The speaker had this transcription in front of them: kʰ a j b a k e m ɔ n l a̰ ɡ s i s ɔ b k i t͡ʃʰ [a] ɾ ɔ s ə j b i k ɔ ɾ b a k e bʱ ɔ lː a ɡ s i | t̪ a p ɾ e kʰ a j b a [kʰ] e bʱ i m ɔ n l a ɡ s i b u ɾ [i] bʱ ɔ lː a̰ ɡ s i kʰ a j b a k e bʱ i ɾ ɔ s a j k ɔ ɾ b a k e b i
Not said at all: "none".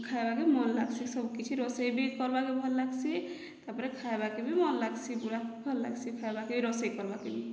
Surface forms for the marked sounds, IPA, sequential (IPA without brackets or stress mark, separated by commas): i, k, a